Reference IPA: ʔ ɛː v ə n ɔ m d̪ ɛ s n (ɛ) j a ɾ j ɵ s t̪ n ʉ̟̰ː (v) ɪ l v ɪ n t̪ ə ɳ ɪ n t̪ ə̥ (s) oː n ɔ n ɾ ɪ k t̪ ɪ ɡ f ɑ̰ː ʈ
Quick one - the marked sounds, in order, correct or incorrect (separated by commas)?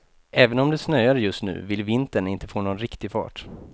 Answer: incorrect, correct, incorrect